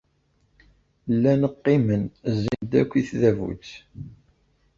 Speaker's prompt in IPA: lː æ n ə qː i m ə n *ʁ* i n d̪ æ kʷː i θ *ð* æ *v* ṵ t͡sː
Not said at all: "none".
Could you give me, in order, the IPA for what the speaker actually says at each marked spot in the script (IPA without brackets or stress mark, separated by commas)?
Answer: z, ð, v